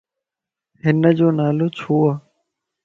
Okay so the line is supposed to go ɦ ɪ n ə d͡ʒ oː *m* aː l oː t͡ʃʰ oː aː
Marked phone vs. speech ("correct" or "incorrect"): incorrect